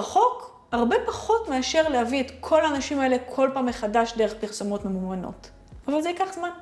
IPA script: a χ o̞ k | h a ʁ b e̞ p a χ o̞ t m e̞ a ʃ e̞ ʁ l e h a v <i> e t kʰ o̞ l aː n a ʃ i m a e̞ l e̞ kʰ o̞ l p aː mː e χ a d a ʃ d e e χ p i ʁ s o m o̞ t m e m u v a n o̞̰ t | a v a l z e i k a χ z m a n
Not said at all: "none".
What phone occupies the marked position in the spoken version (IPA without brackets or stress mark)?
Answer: i